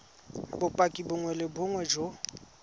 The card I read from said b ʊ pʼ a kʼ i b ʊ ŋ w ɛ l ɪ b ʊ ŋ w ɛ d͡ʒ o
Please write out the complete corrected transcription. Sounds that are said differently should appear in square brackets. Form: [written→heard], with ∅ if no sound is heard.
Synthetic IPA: b ʊ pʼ a kʼ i b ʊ ŋ w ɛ l ɪ b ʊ ŋ w ɛ d͡ʒ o